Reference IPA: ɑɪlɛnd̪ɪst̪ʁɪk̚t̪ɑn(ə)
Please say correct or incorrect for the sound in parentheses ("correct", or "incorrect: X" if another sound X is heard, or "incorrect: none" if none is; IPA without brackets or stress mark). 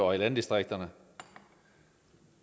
correct